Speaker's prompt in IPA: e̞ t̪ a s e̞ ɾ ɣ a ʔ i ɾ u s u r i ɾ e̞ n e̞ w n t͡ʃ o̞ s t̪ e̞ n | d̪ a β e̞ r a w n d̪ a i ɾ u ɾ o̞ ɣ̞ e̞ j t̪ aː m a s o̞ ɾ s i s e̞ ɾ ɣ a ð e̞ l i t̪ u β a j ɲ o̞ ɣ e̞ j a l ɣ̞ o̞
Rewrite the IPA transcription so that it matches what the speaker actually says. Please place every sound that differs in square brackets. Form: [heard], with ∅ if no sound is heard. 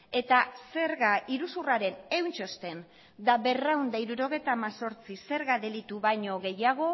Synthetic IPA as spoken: e̞ t̪ a s e̞ ɾ ɣ a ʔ i ɾ u s u r [a] ɾ e̞ n e̞ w n t͡ʃ o̞ s t̪ e̞ n | d̪ a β e̞ r a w n d̪ a i ɾ u ɾ o̞ ɣ̞ e̞ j t̪ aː m a s o̞ ɾ [t͡s] i s e̞ ɾ ɣ a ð e̞ l i t̪ u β a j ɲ o̞ ɣ e̞ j a [∅] ɣ̞ o̞